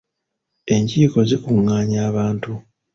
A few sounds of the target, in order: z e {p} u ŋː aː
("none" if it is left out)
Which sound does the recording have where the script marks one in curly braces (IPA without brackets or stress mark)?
k